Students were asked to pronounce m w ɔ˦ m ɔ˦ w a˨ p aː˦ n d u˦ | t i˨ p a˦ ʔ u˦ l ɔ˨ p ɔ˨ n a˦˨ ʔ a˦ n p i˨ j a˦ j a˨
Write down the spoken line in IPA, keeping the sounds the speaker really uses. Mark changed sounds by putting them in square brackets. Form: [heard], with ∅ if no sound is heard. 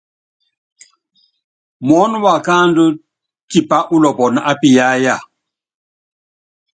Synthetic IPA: m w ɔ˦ [n] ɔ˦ w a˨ [k] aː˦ n d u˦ | t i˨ p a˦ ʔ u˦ l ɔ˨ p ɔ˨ n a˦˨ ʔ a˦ [∅] p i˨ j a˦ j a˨